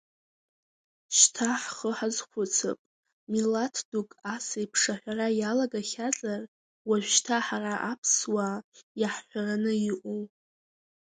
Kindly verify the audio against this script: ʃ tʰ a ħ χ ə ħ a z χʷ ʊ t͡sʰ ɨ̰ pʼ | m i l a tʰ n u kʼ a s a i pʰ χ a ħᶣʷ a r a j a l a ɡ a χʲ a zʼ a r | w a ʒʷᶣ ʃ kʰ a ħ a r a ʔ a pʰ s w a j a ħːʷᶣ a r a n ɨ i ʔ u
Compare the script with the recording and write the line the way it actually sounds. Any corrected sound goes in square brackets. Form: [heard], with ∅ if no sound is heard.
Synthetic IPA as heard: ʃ tʰ a ħ χ ə ħ a z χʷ ʊ t͡sʰ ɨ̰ pʼ | m i l a tʰ [d] u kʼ a s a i pʰ [ʂ] a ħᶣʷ a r a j a l a ɡ a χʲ a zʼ a r | w a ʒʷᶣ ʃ [tʰ] a ħ a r a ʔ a pʰ s w a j a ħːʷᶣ a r a n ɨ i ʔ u